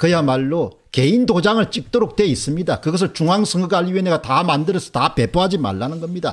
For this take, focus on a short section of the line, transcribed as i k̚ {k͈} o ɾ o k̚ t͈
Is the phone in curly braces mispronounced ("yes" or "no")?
yes